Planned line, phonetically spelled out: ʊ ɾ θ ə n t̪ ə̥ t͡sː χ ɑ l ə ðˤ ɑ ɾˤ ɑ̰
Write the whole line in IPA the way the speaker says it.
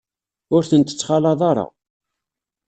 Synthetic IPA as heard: ʊ ɾ θ ə n t̪ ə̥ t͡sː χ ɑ l ɑ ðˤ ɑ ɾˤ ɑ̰